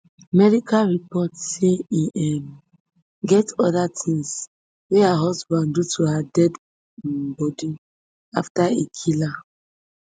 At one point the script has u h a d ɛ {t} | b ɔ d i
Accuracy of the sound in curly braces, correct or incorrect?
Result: incorrect